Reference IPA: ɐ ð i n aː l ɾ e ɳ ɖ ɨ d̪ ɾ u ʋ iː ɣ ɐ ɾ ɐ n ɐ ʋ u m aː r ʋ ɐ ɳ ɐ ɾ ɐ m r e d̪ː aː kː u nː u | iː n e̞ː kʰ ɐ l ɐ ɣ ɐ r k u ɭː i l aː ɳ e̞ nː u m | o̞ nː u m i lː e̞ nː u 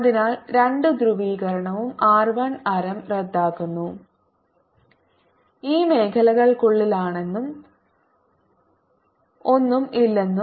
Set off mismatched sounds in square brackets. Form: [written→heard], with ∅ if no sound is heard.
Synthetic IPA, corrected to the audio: ɐ ð i n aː l ɾ e ɳ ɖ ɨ d̪ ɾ u ʋ iː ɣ ɐ ɾ ɐ [n→ɳ] ɐ ʋ u m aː r ʋ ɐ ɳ ɐ ɾ ɐ m r e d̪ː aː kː u nː u | iː [n→m] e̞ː kʰ ɐ l ɐ ɣ ɐ [r→ɭ] k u ɭː i l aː ɳ e̞ nː u m | o̞ nː u m i lː e̞ nː u

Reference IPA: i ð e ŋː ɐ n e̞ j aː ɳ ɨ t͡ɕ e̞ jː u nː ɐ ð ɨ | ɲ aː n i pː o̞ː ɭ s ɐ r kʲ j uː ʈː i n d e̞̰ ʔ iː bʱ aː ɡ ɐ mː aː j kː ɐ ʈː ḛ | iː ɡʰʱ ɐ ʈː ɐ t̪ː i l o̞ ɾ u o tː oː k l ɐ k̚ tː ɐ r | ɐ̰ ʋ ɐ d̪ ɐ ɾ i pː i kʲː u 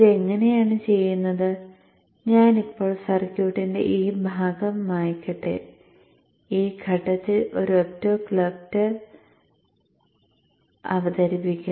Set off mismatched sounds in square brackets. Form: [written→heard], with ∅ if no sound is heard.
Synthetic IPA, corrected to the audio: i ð e ŋː ɐ n e̞ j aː ɳ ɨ t͡ɕ e̞ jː u nː ɐ ð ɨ | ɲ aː n i pː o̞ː ɭ s ɐ r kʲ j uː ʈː i n d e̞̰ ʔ iː bʱ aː ɡ ɐ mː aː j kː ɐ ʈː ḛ | iː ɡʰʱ ɐ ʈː ɐ t̪ː i l o̞ ɾ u o tː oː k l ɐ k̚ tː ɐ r | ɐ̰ ʋ ɐ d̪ ɐ ɾ i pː i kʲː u

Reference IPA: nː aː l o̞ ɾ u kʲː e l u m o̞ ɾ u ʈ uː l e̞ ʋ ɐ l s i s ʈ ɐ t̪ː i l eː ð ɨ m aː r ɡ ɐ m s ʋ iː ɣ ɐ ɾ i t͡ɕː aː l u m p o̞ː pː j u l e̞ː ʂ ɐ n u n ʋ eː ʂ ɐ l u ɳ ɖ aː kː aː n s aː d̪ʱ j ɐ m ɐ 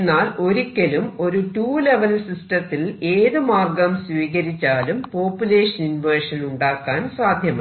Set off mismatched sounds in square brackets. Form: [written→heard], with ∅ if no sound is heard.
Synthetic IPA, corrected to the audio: nː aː l o̞ ɾ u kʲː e l u m o̞ ɾ u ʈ uː l e̞ ʋ ɐ l s i s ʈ ɐ t̪ː i l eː ð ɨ m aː r ɡ ɐ m s ʋ iː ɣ ɐ ɾ i t͡ɕː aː l u m p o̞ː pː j u l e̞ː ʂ ɐ n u n ʋ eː ʂ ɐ l u ɳ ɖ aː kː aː n s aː d̪ʱ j ɐ m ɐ

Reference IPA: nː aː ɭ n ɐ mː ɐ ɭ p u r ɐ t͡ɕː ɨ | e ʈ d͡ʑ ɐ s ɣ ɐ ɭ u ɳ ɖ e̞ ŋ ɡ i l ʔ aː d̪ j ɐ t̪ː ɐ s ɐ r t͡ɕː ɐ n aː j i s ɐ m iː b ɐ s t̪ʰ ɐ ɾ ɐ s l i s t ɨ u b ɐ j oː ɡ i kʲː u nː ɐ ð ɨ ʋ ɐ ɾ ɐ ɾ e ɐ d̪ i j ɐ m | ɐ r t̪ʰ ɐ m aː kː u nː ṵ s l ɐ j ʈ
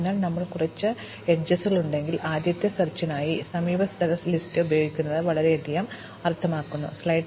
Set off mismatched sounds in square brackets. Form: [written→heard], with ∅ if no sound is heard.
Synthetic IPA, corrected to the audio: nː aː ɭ n ɐ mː ɐ ɭ [p→k] u r ɐ t͡ɕː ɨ | e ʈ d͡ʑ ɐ s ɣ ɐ ɭ u ɳ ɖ e̞ ŋ ɡ i l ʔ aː d̪ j ɐ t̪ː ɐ s ɐ r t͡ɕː ɐ n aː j i s ɐ m iː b ɐ s t̪ʰ ɐ ɾ ɐ s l i s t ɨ u b ɐ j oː ɡ i kʲː u nː ɐ ð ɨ ʋ ɐ [ɾ→ɭ] ɐ ɾ e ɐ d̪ i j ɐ m | ɐ r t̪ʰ ɐ m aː kː u nː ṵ s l ɐ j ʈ

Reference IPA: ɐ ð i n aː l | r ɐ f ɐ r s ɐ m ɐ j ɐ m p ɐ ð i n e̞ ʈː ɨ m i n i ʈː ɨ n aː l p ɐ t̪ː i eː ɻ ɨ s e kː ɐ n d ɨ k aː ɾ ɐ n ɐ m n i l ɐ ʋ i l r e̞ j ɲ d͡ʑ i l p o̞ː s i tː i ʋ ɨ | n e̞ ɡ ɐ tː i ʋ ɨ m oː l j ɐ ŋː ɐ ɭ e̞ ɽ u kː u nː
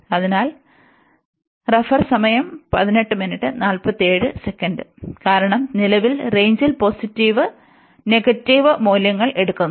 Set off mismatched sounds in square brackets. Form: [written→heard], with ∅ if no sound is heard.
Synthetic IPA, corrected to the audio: ɐ ð i n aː l | r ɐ f ɐ r s ɐ m ɐ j ɐ m p ɐ ð i n e̞ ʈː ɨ m i n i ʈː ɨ n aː l p ɐ t̪ː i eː ɻ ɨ s e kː ɐ n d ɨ k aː ɾ ɐ [n→ɳ] ɐ m n i l ɐ ʋ i l r e̞ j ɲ d͡ʑ i l p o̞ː s i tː i ʋ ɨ | n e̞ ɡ ɐ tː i ʋ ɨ m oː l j ɐ ŋː ɐ ɭ e̞ ɽ u kː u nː

